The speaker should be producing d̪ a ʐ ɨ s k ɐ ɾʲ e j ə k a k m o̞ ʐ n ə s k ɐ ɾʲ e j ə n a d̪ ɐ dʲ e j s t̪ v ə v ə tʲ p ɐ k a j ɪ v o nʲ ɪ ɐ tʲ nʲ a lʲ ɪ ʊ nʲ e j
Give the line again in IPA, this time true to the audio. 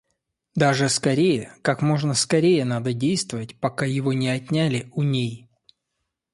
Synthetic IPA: d̪ a ʐ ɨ s k ɐ ɾʲ e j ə k a k m o̞ ʐ n ə s k ɐ ɾʲ e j ə n a d̪ ə dʲ e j s t̪ v ə v ə tʲ p ɐ k a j ɪ v o nʲ ɪ ɐ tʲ nʲ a lʲ ɪ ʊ nʲ e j